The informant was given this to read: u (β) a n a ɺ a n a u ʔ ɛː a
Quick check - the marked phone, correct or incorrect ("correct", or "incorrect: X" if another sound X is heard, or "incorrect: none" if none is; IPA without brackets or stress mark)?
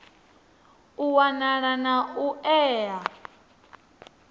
incorrect: w